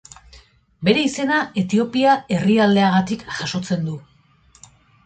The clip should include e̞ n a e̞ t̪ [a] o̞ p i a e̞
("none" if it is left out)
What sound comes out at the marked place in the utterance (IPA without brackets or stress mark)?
i